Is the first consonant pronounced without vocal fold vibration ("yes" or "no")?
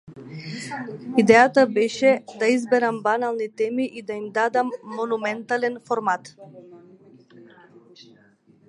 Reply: no